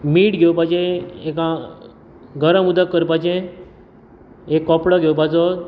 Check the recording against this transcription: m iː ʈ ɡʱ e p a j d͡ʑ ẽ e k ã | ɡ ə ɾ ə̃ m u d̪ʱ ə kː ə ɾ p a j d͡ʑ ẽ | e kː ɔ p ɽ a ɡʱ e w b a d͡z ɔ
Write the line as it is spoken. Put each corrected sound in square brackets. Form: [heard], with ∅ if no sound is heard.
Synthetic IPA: m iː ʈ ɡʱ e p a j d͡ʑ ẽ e k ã | ɡ ə ɾ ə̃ m u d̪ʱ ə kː ə ɾ p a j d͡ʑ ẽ | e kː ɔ p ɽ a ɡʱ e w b a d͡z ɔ